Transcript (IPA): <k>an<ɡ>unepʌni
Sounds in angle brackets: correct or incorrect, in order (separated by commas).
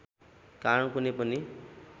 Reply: correct, incorrect